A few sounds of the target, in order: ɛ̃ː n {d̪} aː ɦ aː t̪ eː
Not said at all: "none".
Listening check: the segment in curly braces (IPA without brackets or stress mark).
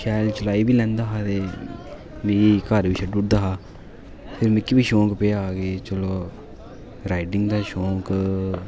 d̪